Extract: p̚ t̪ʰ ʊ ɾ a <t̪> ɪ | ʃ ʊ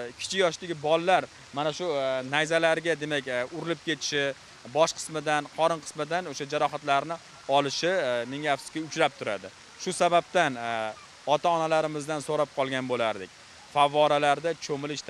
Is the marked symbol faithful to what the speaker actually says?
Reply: no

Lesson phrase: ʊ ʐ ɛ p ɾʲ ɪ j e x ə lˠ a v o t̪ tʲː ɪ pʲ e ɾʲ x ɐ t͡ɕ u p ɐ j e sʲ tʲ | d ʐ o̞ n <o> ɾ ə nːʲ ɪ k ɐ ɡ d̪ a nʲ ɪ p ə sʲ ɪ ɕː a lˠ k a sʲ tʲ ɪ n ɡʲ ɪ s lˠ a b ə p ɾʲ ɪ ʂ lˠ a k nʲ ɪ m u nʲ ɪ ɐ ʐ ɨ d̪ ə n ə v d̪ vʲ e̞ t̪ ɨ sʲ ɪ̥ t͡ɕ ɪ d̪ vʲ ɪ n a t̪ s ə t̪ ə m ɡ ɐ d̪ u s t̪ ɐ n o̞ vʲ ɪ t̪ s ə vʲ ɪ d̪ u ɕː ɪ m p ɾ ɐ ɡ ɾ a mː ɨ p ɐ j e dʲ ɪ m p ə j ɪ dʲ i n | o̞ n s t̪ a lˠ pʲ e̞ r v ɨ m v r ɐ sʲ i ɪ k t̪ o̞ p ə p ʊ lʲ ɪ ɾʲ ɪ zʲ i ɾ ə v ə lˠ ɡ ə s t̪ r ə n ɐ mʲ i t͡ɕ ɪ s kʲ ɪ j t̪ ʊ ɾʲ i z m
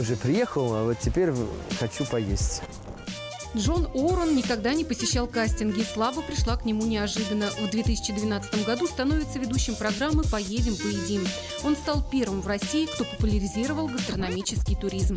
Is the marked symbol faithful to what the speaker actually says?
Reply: yes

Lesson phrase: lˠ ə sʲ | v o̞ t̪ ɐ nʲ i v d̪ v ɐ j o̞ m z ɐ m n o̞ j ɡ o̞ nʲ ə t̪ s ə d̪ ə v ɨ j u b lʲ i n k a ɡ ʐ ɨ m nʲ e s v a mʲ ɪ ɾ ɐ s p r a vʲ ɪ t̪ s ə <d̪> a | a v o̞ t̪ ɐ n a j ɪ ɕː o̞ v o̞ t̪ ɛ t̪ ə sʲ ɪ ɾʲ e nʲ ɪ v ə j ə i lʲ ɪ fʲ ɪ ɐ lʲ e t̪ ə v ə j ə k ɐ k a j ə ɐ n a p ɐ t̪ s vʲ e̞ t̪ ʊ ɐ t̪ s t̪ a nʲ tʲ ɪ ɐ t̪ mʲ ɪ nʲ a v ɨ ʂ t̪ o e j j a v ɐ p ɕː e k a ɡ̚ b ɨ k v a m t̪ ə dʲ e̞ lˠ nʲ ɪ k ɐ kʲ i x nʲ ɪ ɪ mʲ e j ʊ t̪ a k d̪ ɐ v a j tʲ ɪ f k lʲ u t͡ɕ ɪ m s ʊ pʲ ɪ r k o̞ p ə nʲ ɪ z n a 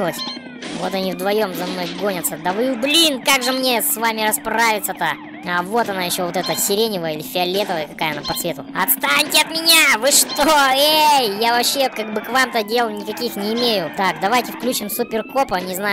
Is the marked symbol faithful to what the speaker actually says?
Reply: no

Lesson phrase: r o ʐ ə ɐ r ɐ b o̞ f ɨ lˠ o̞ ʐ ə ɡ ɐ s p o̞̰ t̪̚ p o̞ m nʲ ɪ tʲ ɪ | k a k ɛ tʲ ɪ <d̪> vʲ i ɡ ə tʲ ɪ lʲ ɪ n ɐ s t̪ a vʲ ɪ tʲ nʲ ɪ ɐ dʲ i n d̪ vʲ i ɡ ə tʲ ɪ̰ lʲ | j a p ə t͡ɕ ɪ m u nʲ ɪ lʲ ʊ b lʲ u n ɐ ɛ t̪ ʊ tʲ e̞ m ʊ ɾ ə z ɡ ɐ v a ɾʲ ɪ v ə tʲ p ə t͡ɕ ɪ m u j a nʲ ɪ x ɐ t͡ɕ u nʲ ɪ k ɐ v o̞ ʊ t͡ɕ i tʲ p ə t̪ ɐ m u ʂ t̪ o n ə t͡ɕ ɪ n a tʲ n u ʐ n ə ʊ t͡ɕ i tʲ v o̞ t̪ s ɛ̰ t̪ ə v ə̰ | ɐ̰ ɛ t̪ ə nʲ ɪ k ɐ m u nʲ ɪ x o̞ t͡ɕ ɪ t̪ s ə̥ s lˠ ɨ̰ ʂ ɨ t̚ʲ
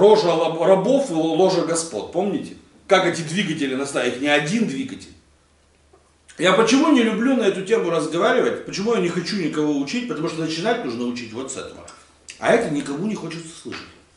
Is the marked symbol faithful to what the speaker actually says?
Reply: yes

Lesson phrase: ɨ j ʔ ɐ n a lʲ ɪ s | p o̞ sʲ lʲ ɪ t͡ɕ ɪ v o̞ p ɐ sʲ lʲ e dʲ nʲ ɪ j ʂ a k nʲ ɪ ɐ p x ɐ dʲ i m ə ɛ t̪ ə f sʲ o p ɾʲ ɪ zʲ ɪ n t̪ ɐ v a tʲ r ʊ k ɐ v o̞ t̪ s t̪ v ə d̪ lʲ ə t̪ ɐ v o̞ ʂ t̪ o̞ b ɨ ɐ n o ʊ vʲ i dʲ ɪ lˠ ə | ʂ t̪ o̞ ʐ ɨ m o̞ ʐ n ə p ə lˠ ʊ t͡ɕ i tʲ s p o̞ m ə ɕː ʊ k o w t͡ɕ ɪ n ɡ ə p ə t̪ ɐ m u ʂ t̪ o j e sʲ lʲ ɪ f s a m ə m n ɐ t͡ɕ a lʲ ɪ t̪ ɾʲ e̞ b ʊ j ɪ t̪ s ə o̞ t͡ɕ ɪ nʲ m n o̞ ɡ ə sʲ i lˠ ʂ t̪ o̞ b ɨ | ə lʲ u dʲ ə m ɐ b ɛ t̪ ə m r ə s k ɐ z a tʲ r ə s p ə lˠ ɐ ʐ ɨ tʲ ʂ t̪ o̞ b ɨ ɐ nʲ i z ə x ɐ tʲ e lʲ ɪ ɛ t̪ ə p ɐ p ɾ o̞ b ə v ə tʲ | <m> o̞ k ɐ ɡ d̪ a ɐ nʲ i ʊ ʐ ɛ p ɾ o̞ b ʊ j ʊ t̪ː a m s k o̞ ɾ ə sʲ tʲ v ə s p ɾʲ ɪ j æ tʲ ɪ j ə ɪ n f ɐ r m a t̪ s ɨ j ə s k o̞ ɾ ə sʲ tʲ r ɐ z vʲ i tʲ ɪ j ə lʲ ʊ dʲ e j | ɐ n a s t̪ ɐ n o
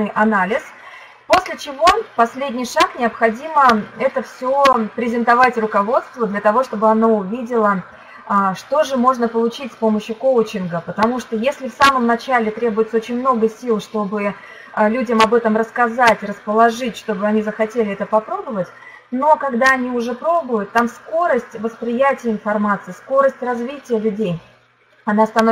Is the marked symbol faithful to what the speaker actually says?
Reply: no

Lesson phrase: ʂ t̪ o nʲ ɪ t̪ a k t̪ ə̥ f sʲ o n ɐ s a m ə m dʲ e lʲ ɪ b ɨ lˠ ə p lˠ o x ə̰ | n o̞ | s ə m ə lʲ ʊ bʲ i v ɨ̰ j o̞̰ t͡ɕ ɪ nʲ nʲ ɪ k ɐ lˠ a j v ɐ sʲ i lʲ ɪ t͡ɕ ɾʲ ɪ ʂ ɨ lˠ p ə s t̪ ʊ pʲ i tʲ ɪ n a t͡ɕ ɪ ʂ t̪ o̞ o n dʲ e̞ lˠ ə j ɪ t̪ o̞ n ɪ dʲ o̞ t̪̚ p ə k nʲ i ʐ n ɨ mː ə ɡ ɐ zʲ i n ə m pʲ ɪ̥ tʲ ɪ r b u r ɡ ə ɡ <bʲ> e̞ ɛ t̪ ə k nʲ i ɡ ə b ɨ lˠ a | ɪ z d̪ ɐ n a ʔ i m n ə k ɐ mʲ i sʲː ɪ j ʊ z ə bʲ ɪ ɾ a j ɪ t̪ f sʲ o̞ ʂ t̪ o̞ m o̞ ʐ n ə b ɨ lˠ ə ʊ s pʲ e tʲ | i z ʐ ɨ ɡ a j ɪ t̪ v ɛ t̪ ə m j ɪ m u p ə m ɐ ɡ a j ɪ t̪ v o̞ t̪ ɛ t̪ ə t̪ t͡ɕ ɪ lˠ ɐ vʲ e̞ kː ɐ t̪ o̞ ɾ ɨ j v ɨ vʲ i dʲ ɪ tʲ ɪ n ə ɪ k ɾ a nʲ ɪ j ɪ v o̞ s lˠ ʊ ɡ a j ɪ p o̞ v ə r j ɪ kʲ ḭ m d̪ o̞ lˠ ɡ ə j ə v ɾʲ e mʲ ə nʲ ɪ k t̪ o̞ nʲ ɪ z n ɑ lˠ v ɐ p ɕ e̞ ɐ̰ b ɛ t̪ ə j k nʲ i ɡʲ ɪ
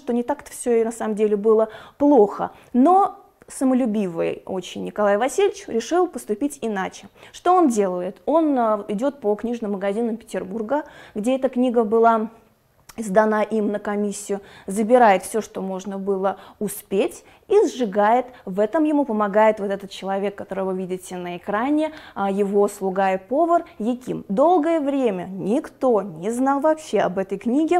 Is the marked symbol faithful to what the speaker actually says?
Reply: no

